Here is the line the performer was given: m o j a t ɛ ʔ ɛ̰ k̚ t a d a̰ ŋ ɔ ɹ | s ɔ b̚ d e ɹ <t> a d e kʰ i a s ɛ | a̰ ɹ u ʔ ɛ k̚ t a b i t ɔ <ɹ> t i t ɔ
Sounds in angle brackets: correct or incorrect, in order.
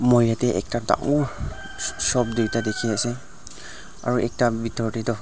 correct, correct

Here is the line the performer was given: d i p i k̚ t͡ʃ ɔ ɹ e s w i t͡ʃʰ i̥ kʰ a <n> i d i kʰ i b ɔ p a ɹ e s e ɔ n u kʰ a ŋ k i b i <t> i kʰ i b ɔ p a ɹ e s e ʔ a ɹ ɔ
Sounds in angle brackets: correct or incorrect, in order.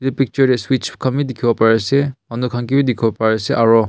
incorrect: m, incorrect: d

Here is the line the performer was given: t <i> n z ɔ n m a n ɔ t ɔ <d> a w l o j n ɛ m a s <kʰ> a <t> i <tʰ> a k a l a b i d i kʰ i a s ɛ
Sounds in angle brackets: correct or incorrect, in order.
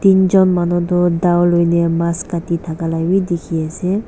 correct, correct, incorrect: k, correct, correct

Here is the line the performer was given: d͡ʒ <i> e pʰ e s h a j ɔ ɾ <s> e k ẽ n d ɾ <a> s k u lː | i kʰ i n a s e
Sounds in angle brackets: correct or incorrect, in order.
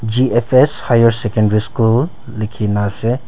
correct, correct, incorrect: i

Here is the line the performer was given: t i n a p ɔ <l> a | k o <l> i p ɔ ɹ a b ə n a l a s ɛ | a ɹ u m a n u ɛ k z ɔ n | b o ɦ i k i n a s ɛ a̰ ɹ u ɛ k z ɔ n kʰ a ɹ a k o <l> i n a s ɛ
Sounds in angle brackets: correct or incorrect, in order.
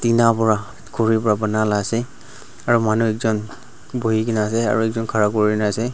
incorrect: ɹ, incorrect: ɹ, incorrect: ɹ

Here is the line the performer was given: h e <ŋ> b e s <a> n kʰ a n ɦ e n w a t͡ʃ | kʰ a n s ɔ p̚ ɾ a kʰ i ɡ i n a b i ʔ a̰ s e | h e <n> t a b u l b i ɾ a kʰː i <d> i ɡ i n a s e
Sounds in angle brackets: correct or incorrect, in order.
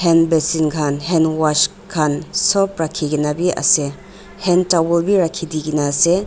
incorrect: n, incorrect: i, correct, correct

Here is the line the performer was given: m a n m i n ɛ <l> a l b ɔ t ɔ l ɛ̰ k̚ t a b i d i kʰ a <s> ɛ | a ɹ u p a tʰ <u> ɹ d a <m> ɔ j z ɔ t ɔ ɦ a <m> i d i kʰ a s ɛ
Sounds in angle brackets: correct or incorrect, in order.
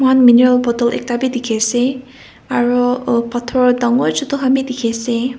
incorrect: ɹ, correct, incorrect: ɔ, incorrect: ŋ, correct

